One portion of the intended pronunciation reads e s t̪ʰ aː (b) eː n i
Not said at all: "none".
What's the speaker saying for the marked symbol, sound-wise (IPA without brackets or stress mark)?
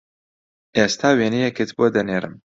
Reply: w